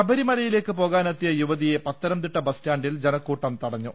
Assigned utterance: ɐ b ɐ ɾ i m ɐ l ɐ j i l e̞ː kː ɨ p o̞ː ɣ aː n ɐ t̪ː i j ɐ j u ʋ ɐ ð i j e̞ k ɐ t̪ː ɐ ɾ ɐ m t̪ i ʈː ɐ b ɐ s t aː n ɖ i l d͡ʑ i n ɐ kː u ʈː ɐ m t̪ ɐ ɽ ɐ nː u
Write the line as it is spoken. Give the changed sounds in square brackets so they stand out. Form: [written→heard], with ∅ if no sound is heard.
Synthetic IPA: ɐ b ɐ ɾ i m ɐ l ɐ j i l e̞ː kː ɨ p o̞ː ɣ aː n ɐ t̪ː i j ɐ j u ʋ ɐ ð i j e̞ [k→p] ɐ t̪ː ɐ ɾ ɐ m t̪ i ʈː ɐ b ɐ s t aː [n→ɳ] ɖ i l d͡ʑ [i→e] n ɐ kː [u→uː] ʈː ɐ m t̪ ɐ ɽ ɐ [nː→ɲː] u